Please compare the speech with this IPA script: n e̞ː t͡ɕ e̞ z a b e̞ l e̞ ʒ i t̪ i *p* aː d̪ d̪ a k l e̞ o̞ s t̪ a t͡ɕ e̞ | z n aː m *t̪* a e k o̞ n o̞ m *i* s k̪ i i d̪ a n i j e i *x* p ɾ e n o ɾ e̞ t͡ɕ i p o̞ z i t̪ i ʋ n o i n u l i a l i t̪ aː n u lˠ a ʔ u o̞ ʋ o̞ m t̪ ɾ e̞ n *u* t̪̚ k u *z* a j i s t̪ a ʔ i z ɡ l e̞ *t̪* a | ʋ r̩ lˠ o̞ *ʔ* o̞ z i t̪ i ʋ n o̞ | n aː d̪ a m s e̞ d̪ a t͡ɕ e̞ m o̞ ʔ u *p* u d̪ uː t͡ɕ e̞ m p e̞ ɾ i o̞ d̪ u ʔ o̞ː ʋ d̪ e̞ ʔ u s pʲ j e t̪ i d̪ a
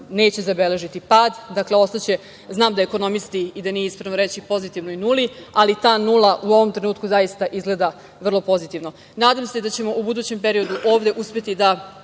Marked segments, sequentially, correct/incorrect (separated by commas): correct, incorrect, correct, incorrect, incorrect, correct, incorrect, incorrect, incorrect